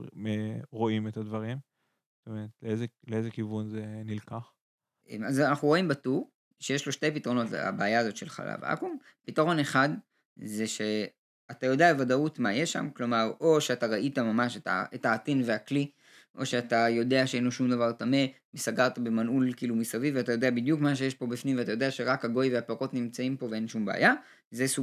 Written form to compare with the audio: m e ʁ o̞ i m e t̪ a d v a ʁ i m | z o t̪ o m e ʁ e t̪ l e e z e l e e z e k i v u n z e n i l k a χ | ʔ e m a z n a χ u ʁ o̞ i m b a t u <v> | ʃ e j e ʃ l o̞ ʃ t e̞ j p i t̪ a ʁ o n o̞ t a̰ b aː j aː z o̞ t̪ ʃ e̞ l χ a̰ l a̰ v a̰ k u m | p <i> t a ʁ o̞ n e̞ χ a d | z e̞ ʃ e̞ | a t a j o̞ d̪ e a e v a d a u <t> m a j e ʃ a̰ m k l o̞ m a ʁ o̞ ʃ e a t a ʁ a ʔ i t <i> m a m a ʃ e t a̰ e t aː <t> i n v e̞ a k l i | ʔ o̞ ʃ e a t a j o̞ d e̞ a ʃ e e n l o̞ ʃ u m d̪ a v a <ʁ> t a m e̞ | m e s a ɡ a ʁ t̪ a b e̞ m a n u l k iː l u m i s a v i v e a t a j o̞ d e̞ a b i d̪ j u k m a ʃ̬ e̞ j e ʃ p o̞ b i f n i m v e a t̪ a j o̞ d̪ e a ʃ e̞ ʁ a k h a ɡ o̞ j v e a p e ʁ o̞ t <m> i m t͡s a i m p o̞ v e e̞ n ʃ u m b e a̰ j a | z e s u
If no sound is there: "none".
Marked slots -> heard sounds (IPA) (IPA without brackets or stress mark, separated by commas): ʁ, i, t, a, t, ʁ, n